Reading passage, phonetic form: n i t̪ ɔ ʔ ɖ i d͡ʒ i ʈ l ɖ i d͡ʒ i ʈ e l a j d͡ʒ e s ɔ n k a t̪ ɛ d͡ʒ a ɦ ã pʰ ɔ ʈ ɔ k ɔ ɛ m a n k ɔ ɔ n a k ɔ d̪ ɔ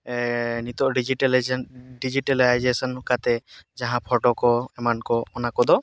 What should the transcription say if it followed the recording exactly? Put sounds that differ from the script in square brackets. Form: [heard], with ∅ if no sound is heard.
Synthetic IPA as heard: n i t̪ ɔ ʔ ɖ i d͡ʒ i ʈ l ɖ i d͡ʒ i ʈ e l a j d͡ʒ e s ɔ n k a t̪ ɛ d͡ʒ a ɦ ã pʰ ɔ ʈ ɔ k ɔ ɛ m a n k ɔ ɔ n a k ɔ d̪ ɔ